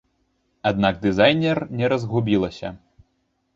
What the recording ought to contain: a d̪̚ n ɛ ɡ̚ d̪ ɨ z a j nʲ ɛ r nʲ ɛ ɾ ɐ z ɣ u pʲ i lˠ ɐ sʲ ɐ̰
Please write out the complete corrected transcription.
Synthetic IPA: a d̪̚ n a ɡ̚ d̪ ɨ z a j nʲ ɛ r nʲ ɛ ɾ ɐ z ɣ u bʲ i lˠ ɐ sʲ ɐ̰